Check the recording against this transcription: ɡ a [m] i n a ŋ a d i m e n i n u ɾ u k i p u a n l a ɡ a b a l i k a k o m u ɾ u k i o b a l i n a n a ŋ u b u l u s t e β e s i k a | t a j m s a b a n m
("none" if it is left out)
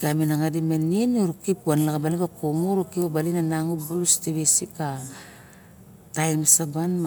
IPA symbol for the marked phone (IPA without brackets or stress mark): m